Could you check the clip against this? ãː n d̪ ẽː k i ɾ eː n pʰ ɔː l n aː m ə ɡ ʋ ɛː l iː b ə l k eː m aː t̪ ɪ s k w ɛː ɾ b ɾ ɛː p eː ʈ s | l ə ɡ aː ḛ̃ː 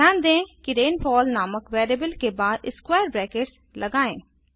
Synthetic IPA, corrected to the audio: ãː n d̪ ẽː k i ɾ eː n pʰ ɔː l n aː m ə k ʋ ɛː ɾ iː b ə l k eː b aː d̪ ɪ s k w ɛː ɾ b ɾ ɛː k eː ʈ s | l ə ɡ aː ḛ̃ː